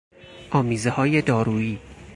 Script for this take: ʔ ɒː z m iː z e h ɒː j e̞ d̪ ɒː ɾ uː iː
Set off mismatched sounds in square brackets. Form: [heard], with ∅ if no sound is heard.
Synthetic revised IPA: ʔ ɒː [∅] m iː z e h ɒː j e̞ d̪ ɒː ɾ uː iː